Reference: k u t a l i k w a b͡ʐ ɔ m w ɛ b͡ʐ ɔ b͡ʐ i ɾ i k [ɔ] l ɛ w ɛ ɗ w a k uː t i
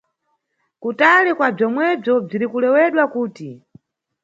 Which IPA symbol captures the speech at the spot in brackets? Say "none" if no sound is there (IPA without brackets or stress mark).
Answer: u